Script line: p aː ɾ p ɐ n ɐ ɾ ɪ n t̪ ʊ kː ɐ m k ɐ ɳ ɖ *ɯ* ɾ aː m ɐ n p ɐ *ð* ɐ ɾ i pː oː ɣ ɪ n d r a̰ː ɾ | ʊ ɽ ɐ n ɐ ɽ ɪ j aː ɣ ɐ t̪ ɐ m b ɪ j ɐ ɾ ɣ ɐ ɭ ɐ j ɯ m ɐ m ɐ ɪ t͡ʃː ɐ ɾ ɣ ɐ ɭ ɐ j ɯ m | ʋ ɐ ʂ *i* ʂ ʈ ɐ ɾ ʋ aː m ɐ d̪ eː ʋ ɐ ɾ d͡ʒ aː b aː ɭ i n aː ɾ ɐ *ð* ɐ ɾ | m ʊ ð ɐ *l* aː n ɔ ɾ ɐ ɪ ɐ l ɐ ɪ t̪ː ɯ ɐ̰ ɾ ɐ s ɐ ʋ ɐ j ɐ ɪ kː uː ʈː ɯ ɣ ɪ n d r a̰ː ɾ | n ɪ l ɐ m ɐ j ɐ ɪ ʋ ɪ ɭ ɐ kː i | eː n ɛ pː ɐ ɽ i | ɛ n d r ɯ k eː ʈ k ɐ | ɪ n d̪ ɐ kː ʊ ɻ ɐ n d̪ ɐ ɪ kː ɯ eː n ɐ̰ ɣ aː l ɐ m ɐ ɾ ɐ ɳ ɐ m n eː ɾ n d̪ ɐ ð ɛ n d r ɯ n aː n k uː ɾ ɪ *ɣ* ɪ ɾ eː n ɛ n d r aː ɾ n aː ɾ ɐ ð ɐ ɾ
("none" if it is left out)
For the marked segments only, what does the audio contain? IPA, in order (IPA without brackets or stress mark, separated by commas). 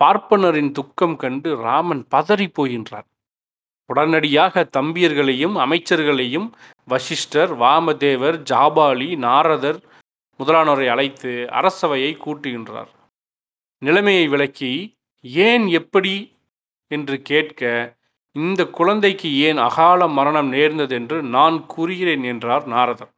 ɯ, ð, ɪ, ð, l, ɣ